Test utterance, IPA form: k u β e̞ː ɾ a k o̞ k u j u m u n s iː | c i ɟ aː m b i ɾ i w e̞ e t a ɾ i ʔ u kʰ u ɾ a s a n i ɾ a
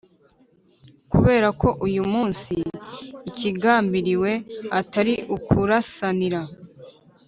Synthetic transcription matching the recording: k u β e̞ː ɾ a k o̞ ʔ u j u m uː n s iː | c i ɡ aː m b i ɾ i w e̞ a t a ɾ i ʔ u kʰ u ɾ a s a n i ɾ a